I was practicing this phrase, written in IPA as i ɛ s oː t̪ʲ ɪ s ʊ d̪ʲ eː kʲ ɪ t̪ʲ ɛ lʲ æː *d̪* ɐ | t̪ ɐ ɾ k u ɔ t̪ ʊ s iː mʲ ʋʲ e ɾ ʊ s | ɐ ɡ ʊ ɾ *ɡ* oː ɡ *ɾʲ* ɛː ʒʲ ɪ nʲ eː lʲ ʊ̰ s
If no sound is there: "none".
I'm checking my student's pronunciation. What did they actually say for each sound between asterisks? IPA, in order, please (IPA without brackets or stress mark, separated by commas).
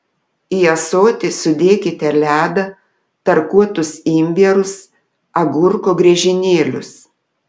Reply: d̪, k, ɾʲ